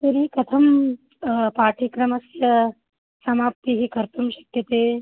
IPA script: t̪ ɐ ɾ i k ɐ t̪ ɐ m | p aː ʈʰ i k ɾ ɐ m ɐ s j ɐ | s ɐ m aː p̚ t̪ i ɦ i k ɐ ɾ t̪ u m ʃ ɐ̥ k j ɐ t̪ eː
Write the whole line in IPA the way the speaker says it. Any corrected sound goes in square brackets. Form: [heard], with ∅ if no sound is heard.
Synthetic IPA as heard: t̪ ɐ ɾ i k ɐ [t̪ʰ] ɐ m | p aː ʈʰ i k ɾ ɐ m ɐ s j ɐ | s ɐ m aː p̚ t̪ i ɦ i k ɐ ɾ t̪ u m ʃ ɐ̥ k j ɐ t̪ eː